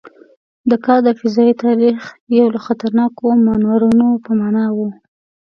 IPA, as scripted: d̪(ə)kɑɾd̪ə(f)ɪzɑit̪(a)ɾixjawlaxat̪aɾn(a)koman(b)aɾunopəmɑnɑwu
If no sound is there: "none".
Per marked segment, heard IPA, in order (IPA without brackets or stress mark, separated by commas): ə, f, ɑ, ɑ, w